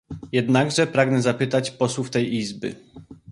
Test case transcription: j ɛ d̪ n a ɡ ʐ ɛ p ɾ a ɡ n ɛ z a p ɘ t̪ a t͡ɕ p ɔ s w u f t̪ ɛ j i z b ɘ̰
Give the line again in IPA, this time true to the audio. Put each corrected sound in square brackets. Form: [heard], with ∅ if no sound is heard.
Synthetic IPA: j ɛ d̪ n a ɡ ʐ ɛ p ɾ a ɡ n ɛ z a p ɘ t̪ a t͡ɕ p ɔ s w u f t̪ ɛ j i z b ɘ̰